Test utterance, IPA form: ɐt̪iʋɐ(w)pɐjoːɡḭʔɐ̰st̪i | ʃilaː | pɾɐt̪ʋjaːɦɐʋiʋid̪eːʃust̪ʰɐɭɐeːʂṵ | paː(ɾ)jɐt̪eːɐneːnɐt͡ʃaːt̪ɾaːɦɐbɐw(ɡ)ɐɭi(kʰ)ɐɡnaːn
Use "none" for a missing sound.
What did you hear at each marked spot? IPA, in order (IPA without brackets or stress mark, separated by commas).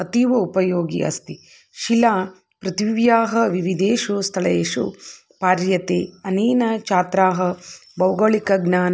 u, ɾ, ɡ, k